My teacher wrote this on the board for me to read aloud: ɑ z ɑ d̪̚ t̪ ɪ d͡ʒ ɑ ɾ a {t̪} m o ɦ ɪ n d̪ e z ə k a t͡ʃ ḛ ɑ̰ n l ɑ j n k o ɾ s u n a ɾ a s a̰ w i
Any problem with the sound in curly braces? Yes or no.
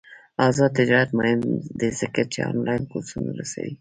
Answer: no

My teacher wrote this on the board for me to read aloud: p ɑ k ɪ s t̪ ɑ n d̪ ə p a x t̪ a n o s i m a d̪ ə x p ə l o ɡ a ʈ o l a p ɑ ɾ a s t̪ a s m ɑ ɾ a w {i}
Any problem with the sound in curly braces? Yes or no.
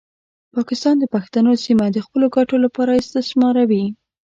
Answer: no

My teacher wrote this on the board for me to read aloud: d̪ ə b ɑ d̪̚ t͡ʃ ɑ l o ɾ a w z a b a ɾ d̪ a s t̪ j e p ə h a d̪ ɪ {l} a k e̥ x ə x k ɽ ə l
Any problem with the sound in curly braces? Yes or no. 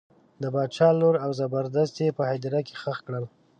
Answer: yes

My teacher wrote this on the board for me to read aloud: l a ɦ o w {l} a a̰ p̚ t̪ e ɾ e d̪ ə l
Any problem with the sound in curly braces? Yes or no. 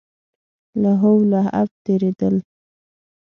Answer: no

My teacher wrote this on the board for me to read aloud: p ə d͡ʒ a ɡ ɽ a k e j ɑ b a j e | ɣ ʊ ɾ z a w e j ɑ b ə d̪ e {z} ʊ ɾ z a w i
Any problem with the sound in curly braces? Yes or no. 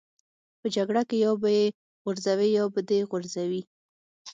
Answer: yes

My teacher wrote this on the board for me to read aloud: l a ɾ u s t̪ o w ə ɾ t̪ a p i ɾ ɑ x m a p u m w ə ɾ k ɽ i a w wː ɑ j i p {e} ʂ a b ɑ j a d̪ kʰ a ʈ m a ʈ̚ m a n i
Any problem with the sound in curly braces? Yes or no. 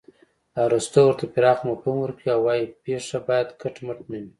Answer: no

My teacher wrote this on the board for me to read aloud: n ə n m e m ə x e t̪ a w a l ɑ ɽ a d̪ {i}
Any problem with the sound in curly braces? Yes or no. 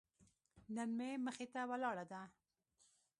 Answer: yes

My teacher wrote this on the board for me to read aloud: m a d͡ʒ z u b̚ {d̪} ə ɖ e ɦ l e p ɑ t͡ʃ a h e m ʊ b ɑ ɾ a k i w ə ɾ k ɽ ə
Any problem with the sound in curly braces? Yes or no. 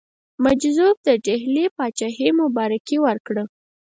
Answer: no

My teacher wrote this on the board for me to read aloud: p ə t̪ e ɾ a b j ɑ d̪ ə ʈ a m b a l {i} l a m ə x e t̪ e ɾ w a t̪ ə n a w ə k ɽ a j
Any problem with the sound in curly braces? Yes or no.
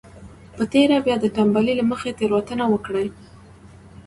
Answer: no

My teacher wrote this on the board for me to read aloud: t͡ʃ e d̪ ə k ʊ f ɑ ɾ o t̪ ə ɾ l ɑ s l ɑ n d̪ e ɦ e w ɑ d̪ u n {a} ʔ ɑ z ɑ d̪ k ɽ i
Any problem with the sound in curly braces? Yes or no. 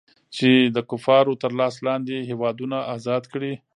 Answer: no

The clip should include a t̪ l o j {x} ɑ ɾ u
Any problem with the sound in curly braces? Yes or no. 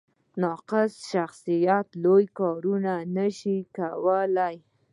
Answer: yes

